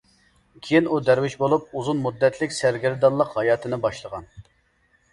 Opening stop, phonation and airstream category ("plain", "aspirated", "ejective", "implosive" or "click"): aspirated